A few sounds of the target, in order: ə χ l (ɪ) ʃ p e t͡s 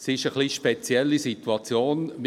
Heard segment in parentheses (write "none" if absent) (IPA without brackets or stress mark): i